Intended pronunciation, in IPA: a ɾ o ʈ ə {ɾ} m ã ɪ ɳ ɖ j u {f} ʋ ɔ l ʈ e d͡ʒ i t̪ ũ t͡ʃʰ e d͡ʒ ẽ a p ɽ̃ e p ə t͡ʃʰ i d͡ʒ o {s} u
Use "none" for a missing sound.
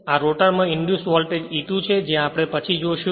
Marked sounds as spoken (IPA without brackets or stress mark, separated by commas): ɾ, s, ʃ